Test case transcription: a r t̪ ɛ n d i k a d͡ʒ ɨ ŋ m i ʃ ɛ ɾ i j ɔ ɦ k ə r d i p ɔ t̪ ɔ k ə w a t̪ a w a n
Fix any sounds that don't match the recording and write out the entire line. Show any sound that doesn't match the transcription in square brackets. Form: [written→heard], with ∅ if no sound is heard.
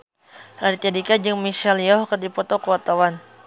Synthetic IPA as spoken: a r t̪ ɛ [n→∅] d i k a d͡ʒ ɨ ŋ m i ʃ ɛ [ɾ→l] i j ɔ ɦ k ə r d i p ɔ t̪ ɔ k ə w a t̪ a w a n